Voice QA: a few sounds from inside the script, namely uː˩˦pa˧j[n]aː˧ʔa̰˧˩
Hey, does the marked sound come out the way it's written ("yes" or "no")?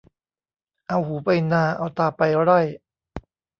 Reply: yes